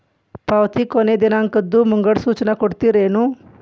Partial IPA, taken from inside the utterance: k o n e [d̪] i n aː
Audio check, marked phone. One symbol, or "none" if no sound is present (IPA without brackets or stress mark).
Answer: d̪